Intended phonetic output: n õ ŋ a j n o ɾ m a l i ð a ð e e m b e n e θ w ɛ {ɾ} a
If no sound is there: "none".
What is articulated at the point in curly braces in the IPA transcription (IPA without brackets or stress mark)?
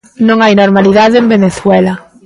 l